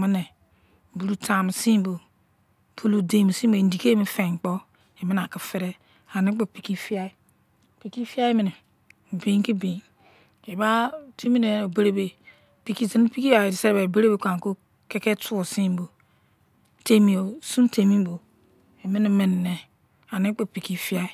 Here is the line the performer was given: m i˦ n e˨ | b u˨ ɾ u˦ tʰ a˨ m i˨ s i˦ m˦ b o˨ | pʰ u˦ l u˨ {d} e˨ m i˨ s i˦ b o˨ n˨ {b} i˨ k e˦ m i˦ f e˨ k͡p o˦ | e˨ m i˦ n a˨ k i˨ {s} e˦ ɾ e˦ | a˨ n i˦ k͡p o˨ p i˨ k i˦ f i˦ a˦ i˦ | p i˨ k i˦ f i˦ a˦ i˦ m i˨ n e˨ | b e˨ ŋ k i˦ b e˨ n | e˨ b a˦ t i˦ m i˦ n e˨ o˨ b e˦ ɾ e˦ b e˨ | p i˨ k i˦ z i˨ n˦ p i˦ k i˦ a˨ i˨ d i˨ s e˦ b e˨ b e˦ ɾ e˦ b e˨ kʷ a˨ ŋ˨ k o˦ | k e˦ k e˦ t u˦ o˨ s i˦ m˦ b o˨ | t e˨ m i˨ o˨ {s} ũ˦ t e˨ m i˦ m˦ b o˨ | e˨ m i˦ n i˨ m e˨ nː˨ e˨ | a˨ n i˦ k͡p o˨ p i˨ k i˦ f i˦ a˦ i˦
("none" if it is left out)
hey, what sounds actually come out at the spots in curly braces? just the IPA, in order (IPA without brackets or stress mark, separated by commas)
d, d, f, s